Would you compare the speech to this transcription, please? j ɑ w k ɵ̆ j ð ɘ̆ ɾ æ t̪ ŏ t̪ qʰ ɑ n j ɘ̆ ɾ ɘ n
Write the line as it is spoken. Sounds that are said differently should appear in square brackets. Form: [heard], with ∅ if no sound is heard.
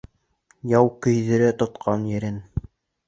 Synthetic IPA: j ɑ w k ɵ̆ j ð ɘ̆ ɾ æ t̪ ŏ t̪ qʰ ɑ n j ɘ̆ ɾ ɘ n